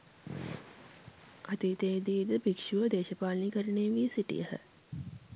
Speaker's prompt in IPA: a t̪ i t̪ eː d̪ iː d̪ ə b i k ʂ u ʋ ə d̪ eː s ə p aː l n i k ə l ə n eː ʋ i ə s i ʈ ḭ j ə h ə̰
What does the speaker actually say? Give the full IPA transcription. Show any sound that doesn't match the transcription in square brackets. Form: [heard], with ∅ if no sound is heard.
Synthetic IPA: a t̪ i t̪ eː d̪ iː d̪ ə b i k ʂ u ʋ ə d̪ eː [ʃ] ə p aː l n i k ə [ɾ] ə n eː ʋ i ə s i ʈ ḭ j ə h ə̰

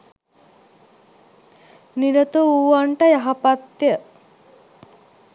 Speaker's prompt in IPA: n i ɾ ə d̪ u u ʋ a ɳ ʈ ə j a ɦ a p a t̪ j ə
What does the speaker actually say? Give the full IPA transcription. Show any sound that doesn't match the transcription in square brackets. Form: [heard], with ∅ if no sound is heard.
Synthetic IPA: n i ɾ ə [t̪] u u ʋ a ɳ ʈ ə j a ɦ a p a t̪ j ə

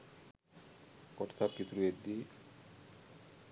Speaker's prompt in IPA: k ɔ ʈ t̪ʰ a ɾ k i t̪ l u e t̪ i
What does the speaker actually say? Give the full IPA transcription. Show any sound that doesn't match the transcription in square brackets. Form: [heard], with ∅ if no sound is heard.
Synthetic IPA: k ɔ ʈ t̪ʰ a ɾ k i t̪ [ɾ] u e [d̪] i

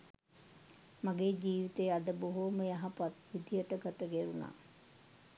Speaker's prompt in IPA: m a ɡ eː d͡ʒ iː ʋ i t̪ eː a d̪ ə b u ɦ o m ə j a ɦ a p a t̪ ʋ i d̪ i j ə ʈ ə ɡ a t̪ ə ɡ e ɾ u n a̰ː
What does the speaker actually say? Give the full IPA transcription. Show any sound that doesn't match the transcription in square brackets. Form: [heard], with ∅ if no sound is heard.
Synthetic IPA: m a ɡ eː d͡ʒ iː ʋ i t̪ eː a d̪ ə b [o] ɦ o m ə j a ɦ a p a t̪ ʋ i d̪ i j ə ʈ ə ɡ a t̪ ə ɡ e ɾ u n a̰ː

